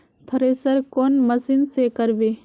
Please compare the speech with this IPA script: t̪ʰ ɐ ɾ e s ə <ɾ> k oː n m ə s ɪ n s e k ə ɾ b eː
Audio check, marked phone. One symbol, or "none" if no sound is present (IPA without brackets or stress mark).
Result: ɾ